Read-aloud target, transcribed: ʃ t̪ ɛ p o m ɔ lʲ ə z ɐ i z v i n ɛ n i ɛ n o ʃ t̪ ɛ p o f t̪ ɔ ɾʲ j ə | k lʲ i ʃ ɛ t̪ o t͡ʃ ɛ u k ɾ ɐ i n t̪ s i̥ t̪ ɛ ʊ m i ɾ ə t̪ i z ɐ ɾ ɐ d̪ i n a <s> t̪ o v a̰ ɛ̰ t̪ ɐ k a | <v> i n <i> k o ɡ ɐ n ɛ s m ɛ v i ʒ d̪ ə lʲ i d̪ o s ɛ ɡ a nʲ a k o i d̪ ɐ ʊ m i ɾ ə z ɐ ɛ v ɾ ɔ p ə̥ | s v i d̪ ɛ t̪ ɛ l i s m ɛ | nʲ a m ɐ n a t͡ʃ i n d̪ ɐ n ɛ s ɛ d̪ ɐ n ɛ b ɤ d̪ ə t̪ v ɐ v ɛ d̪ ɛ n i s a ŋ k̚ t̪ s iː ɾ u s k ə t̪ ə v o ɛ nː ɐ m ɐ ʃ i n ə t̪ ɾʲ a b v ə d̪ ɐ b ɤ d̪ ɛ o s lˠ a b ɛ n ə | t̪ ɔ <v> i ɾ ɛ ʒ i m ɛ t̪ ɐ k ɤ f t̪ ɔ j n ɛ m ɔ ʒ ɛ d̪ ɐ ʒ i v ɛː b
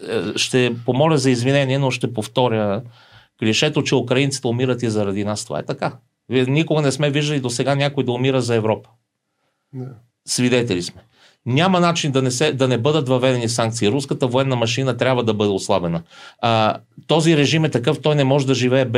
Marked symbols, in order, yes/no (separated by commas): yes, yes, yes, no